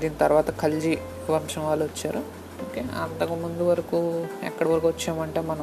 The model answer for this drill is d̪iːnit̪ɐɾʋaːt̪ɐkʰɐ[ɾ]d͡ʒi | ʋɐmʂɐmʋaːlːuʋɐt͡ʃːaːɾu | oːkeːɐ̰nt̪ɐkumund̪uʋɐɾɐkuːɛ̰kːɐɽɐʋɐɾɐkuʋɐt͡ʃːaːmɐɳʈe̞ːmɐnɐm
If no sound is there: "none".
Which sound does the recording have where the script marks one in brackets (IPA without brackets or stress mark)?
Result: l